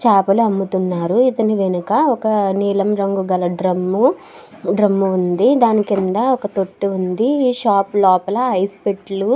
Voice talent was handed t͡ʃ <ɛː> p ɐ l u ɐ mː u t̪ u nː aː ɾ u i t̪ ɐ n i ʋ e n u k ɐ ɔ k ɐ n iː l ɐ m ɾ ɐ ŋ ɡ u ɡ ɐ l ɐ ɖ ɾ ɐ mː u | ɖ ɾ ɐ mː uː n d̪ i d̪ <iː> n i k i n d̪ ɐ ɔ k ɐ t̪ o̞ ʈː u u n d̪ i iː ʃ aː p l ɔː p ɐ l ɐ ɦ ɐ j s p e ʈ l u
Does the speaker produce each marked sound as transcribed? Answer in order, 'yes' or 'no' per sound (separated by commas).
no, no